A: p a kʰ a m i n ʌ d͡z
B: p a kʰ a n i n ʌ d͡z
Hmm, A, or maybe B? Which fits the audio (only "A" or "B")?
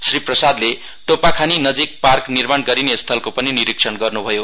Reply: B